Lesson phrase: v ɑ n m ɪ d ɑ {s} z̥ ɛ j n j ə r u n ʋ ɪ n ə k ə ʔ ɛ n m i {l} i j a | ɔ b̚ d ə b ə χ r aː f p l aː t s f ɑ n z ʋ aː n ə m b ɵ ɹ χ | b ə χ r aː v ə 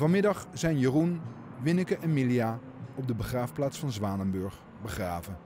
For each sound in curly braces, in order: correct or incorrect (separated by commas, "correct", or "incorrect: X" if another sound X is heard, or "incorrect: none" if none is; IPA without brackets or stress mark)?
incorrect: χ, correct